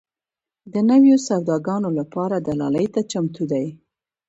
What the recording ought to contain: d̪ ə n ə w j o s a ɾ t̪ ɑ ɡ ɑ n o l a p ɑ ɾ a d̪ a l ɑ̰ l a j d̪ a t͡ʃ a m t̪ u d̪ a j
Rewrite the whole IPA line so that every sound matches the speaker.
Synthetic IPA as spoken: d̪ ə n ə w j o s a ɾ d̪ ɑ ɡ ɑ n o l a p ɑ ɾ a d̪ a l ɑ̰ l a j t̪ a t͡ʃ a m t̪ u d̪ a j